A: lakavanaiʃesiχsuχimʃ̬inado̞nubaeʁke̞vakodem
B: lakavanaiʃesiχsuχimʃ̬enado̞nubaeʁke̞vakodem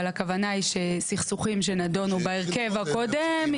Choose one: B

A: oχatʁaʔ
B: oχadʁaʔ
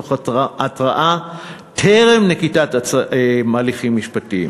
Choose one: A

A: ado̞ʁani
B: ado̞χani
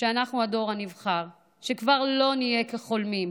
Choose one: A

